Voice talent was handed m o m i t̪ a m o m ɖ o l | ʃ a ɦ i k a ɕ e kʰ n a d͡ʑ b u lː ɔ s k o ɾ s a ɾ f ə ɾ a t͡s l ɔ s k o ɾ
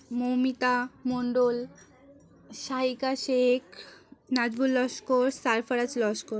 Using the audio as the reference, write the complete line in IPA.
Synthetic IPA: m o m i t̪ a m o ɳ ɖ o l | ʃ a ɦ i k a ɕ e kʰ n a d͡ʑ b u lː ɔ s k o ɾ s a ɾ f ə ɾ a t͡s l ɔ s k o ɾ